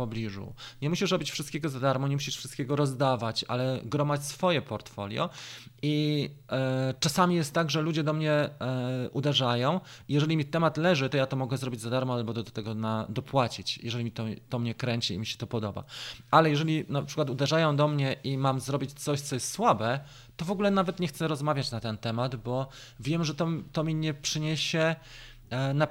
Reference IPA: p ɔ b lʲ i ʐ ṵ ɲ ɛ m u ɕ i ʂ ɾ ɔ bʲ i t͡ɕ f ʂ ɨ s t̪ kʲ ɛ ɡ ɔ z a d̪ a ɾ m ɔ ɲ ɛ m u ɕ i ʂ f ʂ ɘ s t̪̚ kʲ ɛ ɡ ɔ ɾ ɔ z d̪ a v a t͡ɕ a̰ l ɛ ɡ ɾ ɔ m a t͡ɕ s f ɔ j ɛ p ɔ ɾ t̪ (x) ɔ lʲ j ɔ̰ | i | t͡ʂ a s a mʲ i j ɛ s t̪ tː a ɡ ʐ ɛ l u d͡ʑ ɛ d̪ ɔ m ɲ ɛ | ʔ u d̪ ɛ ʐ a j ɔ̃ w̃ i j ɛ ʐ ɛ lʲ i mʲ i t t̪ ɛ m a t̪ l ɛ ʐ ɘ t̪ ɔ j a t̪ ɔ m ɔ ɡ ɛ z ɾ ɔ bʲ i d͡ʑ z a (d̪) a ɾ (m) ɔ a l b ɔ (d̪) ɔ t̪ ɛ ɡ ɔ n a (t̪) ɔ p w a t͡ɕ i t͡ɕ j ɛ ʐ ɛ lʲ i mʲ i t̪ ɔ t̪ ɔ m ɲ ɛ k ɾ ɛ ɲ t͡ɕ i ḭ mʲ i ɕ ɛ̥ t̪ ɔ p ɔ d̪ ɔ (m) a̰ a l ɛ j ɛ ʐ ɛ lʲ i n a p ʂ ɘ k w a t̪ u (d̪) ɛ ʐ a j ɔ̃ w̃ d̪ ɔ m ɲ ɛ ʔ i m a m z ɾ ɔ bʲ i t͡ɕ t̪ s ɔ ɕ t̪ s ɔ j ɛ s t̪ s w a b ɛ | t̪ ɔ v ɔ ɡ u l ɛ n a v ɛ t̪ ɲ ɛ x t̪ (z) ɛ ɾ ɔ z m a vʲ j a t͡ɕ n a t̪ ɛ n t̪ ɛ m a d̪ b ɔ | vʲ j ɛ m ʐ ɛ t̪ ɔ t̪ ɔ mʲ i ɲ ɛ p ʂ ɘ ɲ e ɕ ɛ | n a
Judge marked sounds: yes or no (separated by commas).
no, yes, yes, yes, no, no, yes, no